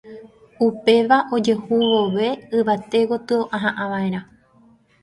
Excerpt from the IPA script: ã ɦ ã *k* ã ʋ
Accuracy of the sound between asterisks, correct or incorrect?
incorrect